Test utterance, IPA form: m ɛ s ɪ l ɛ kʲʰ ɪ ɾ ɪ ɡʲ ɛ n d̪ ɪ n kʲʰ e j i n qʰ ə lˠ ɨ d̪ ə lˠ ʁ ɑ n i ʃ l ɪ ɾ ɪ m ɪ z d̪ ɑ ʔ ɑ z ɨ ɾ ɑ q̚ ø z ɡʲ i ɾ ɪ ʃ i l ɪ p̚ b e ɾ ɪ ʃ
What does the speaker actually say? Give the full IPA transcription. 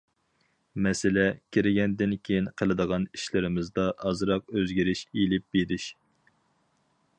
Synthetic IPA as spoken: m ɛ s ɪ l ɛ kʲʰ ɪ ɾ ɪ ɡʲ ɛ n d̪ ɪ n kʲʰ e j i n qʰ ə lˠ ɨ d̪ ə ʁ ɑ n i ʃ l ɪ ɾ ɪ m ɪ z d̪ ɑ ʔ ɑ z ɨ ɾ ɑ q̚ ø z ɡʲ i ɾ ɪ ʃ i l ɪ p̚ b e ɾ ɪ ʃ